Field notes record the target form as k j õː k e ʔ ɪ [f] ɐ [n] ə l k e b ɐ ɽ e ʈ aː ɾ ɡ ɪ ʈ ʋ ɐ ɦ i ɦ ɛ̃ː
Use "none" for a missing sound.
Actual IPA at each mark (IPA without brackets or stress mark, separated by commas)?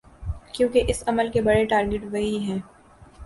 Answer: s, m